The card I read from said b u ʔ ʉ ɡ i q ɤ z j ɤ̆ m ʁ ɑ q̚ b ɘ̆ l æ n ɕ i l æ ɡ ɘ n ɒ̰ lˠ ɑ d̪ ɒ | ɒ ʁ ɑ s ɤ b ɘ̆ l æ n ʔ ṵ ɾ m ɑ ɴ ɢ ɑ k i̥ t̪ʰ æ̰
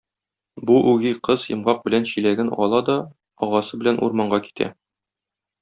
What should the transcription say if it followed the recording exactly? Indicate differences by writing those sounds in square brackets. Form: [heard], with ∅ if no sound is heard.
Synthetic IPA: b u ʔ ʉ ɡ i q ɤ z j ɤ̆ m ʁ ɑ q̚ b ɘ̆ l æ n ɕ i l æ ɡ ɘ n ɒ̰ lˠ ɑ d̪ ɒ | ɒ ʁ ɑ s ɤ b ɘ̆ l æ n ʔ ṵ ɾ m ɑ ɴ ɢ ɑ k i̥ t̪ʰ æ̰

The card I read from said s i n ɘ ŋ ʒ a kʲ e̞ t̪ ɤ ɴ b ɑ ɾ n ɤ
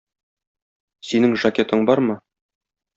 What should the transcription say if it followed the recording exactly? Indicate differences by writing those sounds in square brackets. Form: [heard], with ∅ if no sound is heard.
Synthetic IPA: s i n ɘ ŋ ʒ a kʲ e̞ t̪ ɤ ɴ b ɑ ɾ [m] ɤ

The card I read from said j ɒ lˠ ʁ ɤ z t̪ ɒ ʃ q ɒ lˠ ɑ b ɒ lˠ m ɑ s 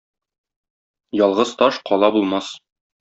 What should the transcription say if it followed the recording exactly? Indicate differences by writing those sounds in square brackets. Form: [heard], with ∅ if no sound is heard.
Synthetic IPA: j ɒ lˠ ʁ ɤ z t̪ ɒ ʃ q ɒ lˠ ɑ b [u] lˠ m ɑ s

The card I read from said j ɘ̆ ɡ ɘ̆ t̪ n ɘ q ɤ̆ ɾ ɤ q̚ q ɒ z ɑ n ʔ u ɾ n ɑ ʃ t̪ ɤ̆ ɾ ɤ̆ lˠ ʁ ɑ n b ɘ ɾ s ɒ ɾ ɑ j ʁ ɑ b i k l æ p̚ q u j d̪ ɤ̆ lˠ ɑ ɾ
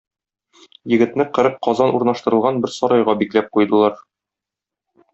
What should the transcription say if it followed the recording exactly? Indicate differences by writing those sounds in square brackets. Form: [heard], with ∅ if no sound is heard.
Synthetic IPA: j ɘ̆ ɡ ɘ̆ t̪ n ɘ q ɤ̆ ɾ ɤ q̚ q ɒ z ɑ n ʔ u ɾ n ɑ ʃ t̪ ɤ̆ ɾ ɤ̆ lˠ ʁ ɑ n b ɘ ɾ s ɒ ɾ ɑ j ʁ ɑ b i k l æ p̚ q u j d̪ ɤ̆ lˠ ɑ ɾ

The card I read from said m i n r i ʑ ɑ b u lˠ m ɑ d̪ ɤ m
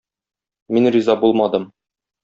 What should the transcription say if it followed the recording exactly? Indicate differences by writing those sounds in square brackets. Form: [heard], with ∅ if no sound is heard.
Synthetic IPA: m i n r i [z] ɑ b u lˠ m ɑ d̪ ɤ m

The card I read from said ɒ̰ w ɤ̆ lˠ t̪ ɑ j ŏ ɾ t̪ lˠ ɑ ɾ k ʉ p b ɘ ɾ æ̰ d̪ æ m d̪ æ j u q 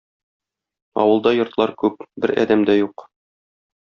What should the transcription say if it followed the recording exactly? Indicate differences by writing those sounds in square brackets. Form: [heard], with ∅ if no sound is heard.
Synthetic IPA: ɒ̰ w ɤ̆ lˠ [d̪] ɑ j ŏ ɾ t̪ lˠ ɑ ɾ k ʉ p b ɘ ɾ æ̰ d̪ æ m d̪ æ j u q

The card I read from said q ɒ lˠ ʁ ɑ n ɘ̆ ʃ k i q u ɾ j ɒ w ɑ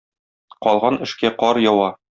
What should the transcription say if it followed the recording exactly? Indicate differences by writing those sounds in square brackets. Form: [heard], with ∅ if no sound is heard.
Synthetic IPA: q ɒ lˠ ʁ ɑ n ɘ̆ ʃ k [æ] q [ɒ] ɾ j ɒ w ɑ

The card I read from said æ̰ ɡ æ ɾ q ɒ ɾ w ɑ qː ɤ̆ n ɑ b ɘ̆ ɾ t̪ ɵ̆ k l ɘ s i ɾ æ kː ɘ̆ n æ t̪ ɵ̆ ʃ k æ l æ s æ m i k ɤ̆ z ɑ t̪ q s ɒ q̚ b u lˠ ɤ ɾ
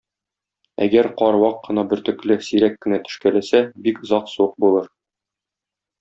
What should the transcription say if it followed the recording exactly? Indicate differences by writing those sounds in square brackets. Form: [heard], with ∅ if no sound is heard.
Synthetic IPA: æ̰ ɡ æ ɾ q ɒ ɾ w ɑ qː ɤ̆ n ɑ b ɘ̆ ɾ t̪ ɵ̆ k l ɘ s i ɾ æ kː ɘ̆ n æ t̪ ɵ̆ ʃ k æ l æ s æ [b] i k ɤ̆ z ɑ [∅] q s [u] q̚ b u lˠ ɤ ɾ

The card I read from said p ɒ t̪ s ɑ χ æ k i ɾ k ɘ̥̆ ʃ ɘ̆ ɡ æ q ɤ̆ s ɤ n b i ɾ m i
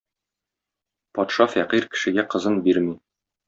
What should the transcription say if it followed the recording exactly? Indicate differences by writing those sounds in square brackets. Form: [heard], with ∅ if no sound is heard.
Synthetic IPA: p ɒ t̪ [ʃ] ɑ [f] æ [q] i ɾ k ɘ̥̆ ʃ ɘ̆ ɡ æ q ɤ̆ [z] ɤ n b i ɾ m i

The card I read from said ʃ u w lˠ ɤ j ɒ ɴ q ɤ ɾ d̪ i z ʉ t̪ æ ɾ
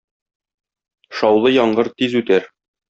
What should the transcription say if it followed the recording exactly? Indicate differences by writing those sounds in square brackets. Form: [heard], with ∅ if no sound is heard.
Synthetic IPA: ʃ [ɒ] w lˠ ɤ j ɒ ɴ [ɢ] ɤ ɾ [t̪] i z ʉ t̪ æ ɾ

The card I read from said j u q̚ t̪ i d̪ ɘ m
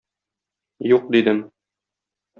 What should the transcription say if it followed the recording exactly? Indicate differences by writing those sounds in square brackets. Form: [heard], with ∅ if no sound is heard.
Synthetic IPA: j u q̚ [d̪] i d̪ ɘ m

